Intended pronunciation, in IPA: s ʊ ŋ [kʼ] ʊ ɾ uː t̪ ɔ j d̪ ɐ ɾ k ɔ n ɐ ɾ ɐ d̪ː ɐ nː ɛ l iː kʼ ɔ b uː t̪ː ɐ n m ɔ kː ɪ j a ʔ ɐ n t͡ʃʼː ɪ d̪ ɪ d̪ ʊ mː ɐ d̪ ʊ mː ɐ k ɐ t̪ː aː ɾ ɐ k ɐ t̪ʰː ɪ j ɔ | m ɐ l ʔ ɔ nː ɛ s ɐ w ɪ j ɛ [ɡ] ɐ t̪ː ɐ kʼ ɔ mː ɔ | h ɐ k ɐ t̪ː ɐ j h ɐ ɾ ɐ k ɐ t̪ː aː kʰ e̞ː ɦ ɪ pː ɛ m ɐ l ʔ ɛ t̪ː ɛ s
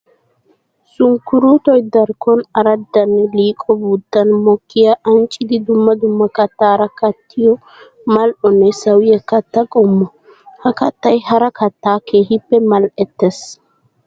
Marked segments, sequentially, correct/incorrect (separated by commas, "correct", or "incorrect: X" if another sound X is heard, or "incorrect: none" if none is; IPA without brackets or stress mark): incorrect: k, incorrect: k